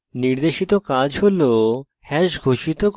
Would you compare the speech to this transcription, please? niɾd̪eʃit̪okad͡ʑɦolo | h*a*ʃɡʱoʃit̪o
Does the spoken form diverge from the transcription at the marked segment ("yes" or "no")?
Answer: yes